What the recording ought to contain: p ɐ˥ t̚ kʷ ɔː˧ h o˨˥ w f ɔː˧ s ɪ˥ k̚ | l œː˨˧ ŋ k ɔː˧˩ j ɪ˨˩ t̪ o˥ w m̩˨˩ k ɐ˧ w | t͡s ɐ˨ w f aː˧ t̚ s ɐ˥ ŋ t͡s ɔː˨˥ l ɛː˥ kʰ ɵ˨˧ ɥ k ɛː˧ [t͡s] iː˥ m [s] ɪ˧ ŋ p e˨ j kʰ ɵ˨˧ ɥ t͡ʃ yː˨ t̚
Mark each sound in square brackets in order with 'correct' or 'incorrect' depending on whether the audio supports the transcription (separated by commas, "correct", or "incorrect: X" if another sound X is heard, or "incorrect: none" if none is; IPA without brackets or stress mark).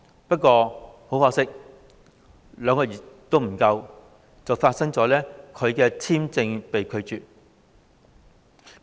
incorrect: t͡sʰ, incorrect: t͡s